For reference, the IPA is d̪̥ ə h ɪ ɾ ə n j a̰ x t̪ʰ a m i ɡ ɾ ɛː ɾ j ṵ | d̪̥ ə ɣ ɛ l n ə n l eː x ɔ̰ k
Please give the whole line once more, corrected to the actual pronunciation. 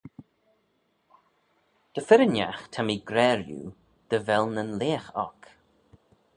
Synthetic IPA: d̪̥ ə f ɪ ɾ ə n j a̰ x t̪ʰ a m i ɡ ɾ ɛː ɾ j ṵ | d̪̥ ə v ɛ l n ə n l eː x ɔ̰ k